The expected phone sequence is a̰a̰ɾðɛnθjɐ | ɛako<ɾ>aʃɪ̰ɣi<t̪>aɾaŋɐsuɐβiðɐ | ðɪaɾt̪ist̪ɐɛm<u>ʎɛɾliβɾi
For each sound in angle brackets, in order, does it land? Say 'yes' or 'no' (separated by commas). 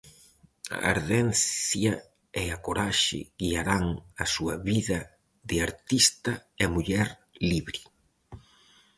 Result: yes, no, yes